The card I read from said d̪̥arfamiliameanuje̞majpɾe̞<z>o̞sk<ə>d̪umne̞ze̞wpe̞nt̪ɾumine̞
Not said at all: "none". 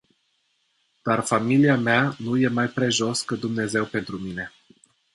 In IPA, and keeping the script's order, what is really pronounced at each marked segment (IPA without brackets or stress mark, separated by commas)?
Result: ʒ, ə